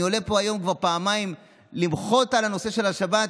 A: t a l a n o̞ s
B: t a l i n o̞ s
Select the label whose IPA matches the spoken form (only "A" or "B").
A